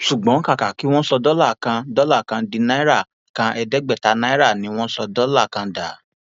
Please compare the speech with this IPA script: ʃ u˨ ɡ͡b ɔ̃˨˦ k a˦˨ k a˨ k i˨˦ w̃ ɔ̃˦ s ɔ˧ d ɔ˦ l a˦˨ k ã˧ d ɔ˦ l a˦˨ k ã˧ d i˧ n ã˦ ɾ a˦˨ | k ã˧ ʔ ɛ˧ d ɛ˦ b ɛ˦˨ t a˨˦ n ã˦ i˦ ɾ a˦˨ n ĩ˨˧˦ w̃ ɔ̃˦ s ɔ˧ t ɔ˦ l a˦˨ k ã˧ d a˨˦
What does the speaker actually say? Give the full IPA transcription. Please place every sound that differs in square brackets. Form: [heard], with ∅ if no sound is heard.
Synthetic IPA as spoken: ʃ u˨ ɡ͡b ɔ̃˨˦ k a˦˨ k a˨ k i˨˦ w̃ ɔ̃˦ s ɔ˧ d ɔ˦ l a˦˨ k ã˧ d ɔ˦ l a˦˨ k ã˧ d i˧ n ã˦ ɾ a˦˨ | k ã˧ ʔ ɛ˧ d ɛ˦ [ɡ͡b] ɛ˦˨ t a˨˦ n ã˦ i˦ ɾ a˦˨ n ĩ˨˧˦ w̃ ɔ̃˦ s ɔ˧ [d] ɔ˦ l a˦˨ k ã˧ d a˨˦